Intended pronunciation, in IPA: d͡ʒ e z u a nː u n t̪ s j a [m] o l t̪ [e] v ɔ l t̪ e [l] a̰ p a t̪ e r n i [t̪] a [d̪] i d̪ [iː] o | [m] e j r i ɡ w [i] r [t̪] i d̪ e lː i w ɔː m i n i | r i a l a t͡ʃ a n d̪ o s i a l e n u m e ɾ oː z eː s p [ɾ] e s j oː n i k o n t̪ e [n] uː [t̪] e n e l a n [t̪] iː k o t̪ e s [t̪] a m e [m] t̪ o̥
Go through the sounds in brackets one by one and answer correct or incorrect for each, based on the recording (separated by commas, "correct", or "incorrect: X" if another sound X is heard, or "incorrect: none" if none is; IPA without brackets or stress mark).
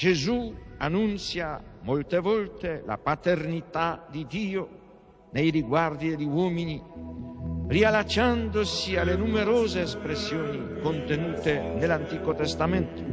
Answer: correct, correct, correct, correct, correct, correct, incorrect: n, incorrect: a, incorrect: d̪, correct, correct, correct, correct, correct, incorrect: n